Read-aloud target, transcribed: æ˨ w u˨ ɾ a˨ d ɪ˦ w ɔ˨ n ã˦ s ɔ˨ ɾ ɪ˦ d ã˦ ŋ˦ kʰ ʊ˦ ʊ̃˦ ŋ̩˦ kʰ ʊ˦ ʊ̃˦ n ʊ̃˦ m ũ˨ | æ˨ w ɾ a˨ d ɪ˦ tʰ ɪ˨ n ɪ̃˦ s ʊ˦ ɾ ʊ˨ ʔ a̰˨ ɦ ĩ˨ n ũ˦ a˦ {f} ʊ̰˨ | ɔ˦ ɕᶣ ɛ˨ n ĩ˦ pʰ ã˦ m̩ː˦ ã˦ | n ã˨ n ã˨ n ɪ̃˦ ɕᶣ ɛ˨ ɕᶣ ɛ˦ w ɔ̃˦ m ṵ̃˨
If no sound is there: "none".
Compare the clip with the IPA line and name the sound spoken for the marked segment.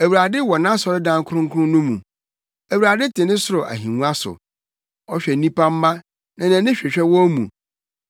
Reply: s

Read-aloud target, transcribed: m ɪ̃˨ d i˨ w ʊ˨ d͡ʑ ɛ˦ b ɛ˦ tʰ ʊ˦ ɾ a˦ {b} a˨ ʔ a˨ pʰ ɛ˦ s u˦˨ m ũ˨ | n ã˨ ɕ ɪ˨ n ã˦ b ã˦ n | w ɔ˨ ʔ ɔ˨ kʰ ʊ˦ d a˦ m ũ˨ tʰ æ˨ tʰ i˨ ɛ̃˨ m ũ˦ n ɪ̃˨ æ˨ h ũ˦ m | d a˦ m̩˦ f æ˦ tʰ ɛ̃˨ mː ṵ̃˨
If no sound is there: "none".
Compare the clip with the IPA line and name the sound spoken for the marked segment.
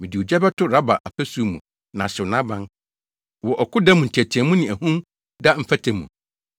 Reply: b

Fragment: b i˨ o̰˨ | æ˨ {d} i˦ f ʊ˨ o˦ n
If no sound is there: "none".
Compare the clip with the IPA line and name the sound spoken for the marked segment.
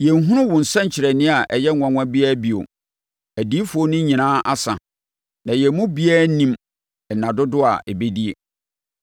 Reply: d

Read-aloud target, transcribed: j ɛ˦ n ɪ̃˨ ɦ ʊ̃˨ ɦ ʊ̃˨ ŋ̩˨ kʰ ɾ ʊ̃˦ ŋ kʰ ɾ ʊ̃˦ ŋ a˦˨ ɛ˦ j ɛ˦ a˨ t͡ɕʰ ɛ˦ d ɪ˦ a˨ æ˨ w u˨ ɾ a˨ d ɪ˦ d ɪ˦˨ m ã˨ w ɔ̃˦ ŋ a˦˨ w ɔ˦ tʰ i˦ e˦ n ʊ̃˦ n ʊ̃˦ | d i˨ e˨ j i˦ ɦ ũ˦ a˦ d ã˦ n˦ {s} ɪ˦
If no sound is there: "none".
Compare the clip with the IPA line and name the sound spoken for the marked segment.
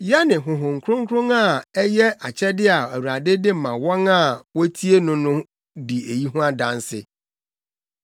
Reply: s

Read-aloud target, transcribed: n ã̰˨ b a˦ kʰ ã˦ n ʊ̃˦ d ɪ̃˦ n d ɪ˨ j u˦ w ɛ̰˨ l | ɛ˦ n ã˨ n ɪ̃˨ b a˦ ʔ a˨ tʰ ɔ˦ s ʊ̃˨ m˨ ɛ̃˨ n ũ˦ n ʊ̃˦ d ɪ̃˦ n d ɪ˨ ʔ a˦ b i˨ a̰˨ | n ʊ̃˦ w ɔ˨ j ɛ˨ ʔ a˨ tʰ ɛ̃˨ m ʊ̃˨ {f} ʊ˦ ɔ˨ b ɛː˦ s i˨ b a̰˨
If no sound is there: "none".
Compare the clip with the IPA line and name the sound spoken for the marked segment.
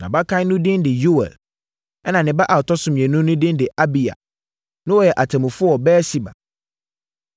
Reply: f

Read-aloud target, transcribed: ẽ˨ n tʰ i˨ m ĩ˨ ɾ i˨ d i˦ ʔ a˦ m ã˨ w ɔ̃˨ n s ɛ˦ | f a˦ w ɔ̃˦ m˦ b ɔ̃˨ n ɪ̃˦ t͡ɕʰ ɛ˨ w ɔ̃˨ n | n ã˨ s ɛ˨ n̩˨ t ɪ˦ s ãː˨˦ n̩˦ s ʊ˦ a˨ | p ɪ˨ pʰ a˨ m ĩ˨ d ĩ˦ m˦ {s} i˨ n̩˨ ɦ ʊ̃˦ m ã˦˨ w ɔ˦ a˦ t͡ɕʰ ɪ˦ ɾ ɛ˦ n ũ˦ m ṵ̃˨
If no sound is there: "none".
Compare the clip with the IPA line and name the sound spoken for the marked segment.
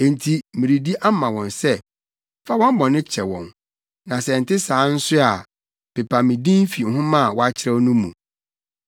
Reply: f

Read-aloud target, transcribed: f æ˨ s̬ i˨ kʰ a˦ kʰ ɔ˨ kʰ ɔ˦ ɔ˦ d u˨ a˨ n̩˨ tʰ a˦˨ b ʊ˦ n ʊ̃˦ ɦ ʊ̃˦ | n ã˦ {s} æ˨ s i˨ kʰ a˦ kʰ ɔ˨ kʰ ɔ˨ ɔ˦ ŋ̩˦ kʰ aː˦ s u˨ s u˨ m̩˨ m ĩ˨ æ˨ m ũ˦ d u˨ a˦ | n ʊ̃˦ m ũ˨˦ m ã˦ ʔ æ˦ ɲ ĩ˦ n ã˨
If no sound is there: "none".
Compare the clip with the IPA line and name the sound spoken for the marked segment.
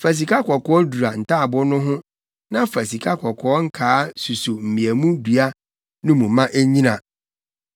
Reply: f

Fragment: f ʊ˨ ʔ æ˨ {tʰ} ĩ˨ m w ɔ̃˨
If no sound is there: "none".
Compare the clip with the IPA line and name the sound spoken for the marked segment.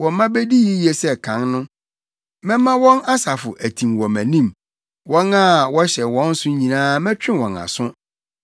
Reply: tʰ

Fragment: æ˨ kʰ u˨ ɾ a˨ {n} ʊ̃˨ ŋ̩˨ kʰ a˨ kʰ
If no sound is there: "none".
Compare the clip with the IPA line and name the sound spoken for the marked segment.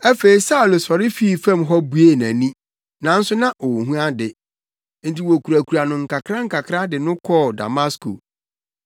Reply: n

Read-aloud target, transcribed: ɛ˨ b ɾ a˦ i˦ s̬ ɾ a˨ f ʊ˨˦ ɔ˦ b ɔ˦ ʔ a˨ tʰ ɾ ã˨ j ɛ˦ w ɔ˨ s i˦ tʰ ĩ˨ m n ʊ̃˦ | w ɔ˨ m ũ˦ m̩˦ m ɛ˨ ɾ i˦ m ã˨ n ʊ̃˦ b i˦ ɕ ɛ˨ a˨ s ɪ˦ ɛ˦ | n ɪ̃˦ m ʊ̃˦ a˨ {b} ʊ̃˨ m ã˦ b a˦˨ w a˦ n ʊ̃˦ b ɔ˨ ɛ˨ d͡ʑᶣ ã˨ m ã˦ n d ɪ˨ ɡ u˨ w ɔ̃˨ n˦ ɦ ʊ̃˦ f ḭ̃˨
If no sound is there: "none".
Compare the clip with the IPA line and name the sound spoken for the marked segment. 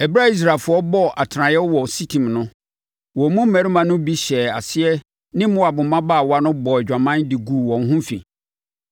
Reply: b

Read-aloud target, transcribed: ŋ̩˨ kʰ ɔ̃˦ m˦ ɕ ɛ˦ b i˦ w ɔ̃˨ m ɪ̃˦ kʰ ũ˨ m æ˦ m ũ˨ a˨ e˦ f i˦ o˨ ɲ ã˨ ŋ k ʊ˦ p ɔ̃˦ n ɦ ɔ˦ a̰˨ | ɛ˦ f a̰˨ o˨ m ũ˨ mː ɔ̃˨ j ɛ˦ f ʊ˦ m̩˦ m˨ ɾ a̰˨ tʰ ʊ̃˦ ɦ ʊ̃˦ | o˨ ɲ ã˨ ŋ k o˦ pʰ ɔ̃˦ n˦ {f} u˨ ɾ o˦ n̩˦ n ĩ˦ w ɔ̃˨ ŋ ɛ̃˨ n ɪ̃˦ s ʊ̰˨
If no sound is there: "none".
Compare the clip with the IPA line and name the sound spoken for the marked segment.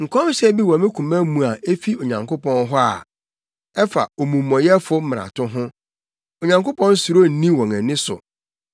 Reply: s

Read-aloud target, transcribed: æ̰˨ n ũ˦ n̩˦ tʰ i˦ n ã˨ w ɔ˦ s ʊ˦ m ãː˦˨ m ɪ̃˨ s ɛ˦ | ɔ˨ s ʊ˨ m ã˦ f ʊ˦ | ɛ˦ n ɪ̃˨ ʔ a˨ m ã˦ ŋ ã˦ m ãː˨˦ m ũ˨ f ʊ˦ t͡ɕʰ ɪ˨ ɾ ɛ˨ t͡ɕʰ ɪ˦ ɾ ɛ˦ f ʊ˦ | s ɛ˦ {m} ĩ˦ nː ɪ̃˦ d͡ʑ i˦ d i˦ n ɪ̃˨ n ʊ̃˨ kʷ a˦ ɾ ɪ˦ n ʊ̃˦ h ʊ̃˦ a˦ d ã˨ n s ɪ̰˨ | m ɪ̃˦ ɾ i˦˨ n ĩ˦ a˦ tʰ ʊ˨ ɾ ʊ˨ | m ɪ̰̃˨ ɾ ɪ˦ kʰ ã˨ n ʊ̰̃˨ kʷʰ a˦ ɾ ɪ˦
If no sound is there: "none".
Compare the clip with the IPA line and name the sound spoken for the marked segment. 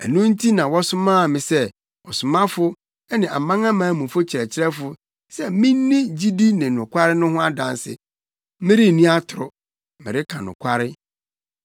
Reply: m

